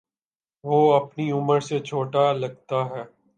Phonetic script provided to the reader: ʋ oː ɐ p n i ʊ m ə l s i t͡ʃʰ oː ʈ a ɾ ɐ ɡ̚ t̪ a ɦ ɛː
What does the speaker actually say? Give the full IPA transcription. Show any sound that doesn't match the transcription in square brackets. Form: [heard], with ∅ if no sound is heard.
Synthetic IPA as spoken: ʋ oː ɐ p n i ʊ m ə [ɾ] s [e] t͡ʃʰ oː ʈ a [l] ɐ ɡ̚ t̪ a ɦ ɛː